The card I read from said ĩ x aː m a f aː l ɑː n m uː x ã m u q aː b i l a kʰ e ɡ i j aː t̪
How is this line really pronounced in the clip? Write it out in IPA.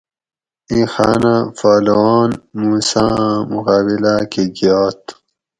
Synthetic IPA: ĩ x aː n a f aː l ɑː n m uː s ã m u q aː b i l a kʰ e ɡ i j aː t̪